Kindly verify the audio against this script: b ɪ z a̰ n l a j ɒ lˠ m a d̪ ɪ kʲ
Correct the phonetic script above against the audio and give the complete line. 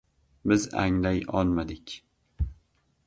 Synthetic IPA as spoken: b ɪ z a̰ ŋ l a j ɒ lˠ m a d̪ ɪ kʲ